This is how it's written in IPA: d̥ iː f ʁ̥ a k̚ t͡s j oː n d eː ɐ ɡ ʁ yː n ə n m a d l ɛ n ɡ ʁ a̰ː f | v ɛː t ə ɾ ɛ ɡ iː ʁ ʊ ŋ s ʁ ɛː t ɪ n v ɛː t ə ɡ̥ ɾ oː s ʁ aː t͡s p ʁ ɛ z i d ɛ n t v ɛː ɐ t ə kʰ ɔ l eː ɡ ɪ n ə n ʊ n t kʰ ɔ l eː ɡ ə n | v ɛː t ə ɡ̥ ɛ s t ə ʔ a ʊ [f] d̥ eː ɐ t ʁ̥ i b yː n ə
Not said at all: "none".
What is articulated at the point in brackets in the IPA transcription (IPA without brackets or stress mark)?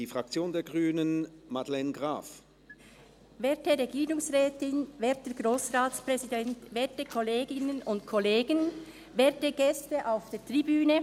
f